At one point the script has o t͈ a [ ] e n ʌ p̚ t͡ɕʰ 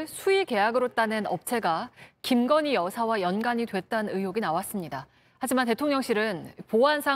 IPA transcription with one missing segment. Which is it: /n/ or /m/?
n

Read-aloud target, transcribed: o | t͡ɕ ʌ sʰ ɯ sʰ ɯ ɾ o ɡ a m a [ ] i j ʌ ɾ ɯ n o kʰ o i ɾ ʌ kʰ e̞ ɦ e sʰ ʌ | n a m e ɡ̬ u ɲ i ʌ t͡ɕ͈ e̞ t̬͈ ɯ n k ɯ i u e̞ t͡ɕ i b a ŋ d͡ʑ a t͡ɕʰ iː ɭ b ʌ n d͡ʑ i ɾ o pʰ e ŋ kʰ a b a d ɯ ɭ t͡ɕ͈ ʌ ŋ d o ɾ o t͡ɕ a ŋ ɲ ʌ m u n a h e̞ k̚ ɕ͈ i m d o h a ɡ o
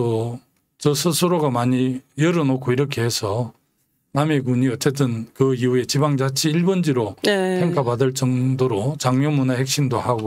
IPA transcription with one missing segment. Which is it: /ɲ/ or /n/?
ɲ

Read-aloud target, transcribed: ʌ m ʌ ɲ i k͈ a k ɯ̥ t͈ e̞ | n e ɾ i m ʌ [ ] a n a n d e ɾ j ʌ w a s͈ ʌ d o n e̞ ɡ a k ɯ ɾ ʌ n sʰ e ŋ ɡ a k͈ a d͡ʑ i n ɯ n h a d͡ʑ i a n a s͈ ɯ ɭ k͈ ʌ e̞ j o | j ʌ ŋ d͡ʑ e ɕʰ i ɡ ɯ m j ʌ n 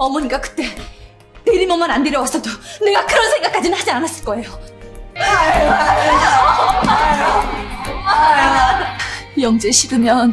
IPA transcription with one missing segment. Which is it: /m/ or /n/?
m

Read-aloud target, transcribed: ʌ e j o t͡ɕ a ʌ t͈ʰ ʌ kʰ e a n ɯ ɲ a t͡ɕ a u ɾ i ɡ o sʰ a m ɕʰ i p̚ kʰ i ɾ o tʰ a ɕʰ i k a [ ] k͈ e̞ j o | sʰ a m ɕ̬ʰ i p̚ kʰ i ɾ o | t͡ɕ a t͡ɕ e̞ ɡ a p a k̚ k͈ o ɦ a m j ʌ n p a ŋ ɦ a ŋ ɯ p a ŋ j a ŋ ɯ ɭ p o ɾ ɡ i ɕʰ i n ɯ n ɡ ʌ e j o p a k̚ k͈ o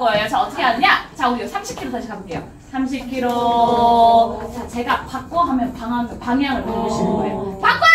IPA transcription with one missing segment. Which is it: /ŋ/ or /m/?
m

